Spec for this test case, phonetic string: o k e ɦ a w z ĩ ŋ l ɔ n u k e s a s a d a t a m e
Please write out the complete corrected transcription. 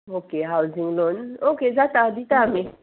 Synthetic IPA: o k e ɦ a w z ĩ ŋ l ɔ n o k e z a t a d i t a m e